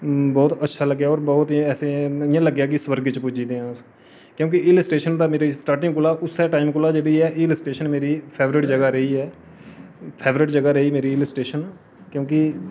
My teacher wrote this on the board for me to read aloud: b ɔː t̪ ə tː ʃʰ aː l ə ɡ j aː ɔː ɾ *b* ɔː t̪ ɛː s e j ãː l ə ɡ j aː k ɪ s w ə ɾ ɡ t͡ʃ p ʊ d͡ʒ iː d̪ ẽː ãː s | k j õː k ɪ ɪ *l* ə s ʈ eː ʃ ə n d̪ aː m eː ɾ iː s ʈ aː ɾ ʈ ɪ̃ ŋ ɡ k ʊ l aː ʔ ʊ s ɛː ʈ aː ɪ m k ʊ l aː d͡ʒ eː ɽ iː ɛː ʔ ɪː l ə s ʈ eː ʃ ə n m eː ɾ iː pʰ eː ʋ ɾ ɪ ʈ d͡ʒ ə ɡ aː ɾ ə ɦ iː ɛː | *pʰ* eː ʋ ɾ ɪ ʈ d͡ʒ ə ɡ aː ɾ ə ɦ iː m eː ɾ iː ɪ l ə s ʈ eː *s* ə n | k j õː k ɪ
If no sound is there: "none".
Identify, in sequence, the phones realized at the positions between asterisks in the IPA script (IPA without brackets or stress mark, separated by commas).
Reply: b, l, pʰ, ʃ